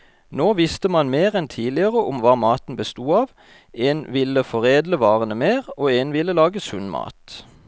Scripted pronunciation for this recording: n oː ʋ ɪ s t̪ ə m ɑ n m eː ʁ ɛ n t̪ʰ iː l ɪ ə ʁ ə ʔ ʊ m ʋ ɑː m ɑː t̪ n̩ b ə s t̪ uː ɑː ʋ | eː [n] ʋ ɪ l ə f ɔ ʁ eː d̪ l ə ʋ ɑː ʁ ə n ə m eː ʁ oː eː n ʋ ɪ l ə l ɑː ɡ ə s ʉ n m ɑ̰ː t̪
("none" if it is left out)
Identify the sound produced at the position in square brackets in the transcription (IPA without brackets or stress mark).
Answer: n